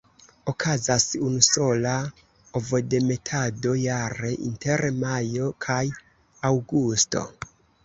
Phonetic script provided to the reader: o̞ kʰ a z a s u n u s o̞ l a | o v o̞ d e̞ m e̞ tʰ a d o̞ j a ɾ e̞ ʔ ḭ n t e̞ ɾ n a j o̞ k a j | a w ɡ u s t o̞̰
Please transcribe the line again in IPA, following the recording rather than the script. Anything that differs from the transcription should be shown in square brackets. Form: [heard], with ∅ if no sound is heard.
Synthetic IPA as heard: o̞ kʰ a z a s u n u s o̞ l a | o v o̞ d e̞ m e̞ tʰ a d o̞ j a ɾ e̞ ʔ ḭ n t e̞ ɾ [m] a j o̞ [kʰ] a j | a w ɡ u s t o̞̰